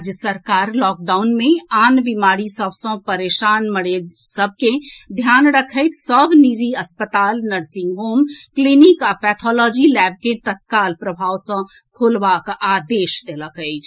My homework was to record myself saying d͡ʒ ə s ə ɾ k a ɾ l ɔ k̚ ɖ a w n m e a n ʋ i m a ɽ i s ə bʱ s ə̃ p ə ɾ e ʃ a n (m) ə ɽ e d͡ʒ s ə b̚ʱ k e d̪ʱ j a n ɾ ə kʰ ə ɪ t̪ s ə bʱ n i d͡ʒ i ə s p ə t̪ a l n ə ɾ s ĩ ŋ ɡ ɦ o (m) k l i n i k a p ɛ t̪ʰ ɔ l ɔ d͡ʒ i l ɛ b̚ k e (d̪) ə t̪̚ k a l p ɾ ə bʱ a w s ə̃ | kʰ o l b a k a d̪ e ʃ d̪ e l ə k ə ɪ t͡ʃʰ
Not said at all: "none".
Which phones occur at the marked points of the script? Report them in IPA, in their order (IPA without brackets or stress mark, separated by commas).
m, m, t̪